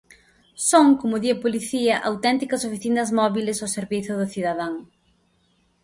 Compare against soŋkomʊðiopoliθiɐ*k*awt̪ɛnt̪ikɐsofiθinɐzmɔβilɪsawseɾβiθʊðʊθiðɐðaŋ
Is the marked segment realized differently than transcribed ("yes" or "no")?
yes